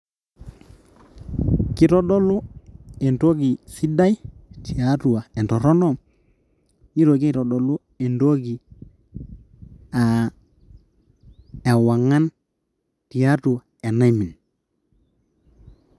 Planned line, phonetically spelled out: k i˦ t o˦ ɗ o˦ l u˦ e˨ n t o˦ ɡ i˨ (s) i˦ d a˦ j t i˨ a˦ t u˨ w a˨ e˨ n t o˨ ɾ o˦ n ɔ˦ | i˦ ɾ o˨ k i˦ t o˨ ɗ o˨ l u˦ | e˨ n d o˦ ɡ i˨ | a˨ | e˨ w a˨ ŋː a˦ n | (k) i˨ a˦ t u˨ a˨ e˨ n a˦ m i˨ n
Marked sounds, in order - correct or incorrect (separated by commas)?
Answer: correct, incorrect